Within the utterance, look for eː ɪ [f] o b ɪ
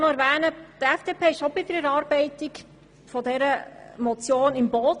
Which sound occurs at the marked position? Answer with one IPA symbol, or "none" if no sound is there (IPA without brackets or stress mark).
ʃ